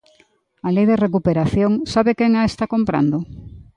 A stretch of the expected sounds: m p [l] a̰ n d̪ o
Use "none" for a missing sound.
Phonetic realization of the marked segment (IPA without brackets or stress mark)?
ɾ